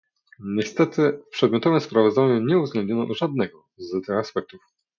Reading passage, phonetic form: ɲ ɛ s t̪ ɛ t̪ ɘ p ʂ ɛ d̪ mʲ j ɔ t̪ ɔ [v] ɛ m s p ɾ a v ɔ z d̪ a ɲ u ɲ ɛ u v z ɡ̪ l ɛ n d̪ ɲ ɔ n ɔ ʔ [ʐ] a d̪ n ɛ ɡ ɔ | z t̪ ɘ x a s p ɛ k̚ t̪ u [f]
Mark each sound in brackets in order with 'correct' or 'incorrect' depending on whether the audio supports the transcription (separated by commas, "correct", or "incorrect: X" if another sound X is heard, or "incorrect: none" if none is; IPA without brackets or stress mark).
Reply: correct, correct, correct